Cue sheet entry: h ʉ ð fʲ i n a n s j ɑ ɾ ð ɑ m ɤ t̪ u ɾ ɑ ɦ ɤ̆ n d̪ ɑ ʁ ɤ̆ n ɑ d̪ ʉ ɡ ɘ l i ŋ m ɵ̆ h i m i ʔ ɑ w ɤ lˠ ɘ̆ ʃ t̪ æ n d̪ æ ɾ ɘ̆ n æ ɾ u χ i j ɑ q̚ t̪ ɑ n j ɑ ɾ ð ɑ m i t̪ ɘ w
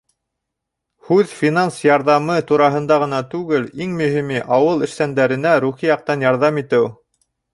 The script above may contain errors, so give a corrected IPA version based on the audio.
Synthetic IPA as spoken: h ʉ ð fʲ i n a n s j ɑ ɾ ð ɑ m ɤ t̪ u ɾ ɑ ɦ ɤ̆ n d̪ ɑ ʁ ɤ̆ n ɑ t̪ ʉ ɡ ɘ l i ŋ m ɵ̆ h i m i ʔ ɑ w ɤ lˠ ɘ̆ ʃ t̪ æ n d̪ æ ɾ ɘ̆ n æ ɾ u χ i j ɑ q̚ t̪ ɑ n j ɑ ɾ ð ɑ m i t̪ ɘ w